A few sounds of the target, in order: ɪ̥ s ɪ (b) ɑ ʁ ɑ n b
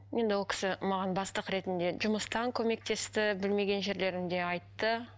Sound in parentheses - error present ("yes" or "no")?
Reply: yes